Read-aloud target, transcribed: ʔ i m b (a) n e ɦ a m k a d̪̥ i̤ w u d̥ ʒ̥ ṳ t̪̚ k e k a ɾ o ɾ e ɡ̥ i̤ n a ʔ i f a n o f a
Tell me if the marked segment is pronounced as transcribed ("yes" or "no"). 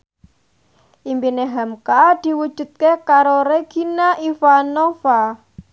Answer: no